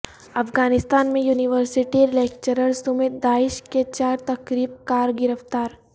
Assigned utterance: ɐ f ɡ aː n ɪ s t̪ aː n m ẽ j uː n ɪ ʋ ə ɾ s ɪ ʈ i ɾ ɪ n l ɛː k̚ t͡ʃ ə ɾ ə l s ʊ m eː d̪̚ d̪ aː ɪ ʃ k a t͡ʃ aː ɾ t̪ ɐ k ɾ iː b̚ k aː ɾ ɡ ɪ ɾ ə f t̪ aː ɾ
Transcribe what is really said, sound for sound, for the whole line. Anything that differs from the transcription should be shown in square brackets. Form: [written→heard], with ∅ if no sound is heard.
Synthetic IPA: ɐ f ɡ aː n ɪ s t̪ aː n m ẽ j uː n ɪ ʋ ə ɾ s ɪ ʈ i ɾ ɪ [n→∅] l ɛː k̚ t͡ʃ ə ɾ ə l s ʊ m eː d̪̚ d̪ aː ɪ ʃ k [a→e] t͡ʃ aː ɾ t̪ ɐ k ɾ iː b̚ k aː ɾ ɡ ɪ ɾ ə f t̪ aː ɾ